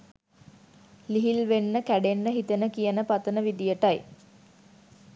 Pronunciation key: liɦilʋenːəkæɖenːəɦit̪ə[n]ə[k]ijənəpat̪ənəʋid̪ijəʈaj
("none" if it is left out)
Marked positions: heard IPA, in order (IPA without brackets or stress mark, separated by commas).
n, k